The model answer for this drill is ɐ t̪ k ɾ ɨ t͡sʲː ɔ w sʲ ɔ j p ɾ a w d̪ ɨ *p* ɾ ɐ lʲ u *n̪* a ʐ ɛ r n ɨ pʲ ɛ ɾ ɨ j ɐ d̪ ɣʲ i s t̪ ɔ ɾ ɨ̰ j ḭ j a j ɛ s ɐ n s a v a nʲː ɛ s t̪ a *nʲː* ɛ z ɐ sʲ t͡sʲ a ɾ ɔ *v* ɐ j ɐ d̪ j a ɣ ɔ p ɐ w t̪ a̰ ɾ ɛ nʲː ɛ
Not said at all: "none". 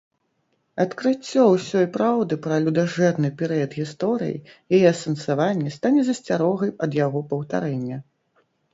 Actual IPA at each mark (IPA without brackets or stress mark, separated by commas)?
p, d̪, nʲ, ɣ